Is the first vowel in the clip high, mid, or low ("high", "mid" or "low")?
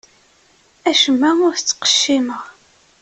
low